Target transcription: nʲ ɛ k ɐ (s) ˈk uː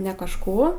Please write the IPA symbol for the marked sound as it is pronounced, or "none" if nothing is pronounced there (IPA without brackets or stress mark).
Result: ʃ